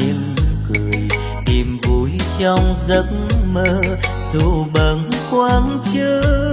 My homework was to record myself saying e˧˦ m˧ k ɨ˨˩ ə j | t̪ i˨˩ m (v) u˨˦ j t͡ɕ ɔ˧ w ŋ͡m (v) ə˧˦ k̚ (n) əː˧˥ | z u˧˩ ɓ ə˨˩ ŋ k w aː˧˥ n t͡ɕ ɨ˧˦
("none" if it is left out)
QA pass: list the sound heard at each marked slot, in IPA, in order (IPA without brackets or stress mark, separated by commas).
v, z, m